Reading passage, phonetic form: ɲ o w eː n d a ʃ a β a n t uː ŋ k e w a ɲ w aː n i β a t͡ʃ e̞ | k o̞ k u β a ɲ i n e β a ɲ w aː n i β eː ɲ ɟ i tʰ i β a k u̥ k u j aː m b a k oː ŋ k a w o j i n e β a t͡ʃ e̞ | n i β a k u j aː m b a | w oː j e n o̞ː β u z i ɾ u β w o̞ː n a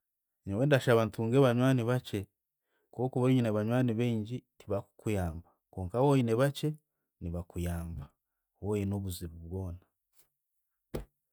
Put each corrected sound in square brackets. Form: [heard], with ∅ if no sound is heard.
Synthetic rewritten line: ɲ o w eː n d a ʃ a β a n t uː ŋ [ɡ] e [β] a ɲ w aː n i β a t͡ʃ e̞ | k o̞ k u β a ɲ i n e β a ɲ w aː n i β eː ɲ ɟ i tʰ i β a k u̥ k u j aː m b a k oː ŋ k a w o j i n e β a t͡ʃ e̞ | n i β a k u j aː m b a | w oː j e n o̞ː β u z i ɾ u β w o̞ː n a